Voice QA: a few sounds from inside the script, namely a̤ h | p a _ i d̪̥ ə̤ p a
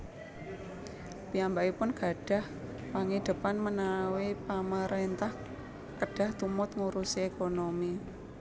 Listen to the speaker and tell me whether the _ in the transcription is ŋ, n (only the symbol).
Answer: ŋ